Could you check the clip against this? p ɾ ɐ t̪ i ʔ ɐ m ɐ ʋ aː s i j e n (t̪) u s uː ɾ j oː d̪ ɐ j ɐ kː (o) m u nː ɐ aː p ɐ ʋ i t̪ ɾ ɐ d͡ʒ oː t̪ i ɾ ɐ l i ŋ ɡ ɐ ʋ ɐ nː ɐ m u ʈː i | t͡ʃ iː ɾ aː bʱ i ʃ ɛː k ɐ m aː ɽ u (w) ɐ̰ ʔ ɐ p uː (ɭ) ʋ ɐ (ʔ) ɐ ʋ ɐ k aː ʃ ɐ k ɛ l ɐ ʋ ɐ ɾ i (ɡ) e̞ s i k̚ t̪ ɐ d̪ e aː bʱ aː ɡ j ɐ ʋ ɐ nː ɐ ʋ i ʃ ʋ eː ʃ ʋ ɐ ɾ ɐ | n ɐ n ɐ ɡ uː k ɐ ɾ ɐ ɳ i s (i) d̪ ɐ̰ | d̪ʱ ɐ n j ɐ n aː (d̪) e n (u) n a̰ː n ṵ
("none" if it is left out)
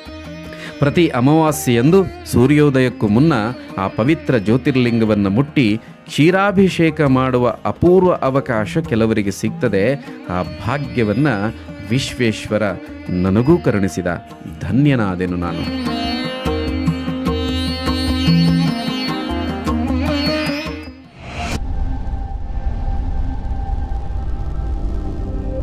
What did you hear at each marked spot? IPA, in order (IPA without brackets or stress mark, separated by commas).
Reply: d̪, u, ʋ, ɾ, ʔ, ɡ, i, d̪, u